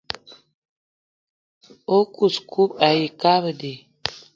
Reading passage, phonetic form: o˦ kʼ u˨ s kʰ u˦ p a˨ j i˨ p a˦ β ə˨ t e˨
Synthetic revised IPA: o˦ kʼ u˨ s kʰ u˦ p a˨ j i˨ k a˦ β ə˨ d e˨